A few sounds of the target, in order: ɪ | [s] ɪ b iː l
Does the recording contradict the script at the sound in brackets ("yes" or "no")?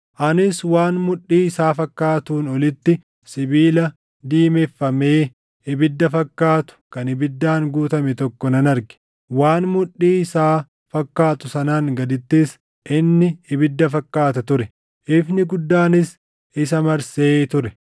no